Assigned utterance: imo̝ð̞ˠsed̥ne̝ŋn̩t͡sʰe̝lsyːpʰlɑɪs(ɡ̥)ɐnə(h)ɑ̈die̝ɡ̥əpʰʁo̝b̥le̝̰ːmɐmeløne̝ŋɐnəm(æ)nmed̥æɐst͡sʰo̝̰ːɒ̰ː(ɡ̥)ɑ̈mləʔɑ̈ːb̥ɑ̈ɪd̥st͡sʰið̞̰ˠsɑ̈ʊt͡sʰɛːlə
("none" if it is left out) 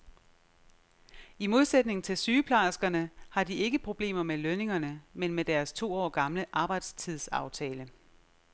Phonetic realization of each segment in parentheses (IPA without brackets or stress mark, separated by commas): ɡ̥, h, e, ɡ̥